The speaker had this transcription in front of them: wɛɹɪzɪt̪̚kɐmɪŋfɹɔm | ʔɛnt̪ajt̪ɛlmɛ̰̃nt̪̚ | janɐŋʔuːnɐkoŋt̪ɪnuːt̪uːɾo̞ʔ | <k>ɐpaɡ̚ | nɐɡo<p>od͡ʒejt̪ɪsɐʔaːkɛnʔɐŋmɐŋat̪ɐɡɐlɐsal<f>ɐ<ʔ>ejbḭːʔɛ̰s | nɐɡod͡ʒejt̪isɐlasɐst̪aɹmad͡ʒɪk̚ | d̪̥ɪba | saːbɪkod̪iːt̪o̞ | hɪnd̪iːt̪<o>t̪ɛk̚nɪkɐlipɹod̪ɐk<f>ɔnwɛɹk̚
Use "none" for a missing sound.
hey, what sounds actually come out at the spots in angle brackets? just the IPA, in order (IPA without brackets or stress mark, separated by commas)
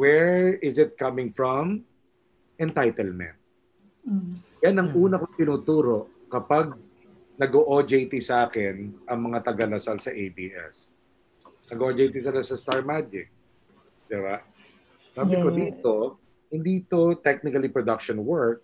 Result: k, ʔ, s, ʔ, o, ʃ